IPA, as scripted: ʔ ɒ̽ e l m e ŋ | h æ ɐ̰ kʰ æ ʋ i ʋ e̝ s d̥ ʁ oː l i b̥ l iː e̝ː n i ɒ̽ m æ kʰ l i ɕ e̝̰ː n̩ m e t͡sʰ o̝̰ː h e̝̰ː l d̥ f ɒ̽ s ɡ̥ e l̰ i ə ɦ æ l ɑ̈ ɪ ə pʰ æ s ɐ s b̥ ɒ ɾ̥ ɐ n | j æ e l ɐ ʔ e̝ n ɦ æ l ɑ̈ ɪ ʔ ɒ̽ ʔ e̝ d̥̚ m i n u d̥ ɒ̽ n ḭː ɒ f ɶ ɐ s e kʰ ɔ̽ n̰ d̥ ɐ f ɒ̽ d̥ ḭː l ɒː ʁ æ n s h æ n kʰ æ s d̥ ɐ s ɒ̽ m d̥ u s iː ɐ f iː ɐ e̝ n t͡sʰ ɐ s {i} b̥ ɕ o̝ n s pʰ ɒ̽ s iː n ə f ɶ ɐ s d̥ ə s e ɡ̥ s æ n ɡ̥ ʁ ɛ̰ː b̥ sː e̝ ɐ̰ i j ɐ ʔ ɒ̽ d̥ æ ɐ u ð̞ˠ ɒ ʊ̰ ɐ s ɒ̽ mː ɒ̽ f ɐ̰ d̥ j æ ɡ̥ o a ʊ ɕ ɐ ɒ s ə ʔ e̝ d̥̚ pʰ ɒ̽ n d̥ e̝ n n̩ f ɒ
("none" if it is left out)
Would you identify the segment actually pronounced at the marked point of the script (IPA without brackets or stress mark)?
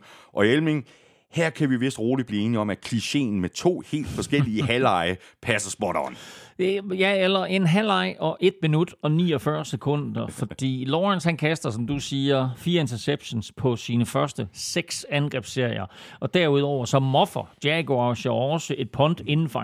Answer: e